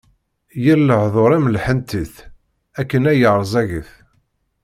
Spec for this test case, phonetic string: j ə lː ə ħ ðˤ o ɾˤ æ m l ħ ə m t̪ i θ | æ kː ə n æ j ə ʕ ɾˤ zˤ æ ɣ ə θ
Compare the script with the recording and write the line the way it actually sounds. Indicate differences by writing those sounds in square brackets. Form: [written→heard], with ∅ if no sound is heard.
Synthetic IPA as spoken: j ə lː ə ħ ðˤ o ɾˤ æ m l ħ ə [m→n] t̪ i θ | æ kː ə n æ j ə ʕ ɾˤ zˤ æ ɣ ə θ